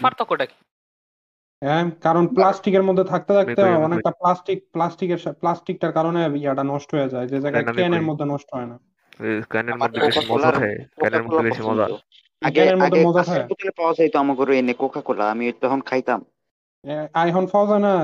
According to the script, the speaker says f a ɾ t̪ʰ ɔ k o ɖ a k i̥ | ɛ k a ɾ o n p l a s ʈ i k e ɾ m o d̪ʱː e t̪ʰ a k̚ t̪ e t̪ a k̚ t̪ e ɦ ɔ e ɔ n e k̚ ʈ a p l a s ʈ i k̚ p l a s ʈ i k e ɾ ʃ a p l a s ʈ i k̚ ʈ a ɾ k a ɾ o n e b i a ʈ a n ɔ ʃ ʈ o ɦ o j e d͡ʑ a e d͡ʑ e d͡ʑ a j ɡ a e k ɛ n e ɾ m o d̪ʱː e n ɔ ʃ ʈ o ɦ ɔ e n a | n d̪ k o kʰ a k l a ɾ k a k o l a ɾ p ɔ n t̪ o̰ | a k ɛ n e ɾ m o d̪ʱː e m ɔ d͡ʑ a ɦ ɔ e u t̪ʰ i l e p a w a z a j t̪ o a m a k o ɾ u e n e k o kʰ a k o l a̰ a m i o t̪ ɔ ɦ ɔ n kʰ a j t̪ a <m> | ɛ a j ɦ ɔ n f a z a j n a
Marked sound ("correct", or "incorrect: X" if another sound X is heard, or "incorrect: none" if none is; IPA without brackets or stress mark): correct